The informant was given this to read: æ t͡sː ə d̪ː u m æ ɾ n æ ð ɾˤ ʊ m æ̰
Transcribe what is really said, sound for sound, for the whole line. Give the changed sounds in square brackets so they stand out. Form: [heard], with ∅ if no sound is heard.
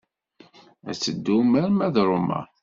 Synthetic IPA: æ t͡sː ə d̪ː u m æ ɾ [m] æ ð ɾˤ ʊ m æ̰